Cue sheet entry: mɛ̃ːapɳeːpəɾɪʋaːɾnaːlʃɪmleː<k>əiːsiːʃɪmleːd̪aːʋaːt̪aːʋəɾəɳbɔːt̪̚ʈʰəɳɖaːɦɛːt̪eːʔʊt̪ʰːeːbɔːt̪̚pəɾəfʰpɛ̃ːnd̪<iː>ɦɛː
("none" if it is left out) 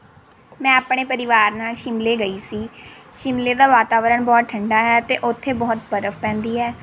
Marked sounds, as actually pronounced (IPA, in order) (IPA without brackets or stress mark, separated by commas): ɡ, iː